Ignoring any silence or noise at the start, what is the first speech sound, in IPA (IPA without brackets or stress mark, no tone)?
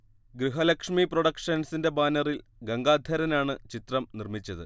ɡ